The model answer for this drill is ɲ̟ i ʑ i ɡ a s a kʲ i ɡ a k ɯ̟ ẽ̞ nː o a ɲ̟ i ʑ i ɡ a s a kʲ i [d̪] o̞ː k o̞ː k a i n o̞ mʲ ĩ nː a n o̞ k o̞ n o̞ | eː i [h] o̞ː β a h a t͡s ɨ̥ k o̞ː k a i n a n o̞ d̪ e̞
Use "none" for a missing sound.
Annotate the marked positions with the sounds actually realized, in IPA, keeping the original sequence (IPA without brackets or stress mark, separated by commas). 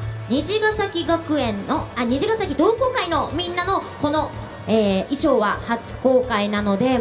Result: d̪, ɕ